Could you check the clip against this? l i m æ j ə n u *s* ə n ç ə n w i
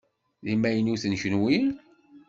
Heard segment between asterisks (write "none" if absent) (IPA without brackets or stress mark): θ